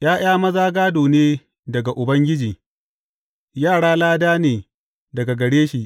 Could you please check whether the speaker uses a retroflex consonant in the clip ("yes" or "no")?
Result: yes